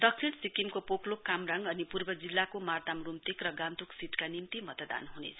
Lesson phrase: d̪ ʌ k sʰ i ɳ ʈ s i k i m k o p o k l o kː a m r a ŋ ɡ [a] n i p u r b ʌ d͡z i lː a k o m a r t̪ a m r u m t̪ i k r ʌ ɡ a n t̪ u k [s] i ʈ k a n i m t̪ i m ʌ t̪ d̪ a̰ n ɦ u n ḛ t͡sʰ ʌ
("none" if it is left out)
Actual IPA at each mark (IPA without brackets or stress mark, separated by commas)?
ʌ, s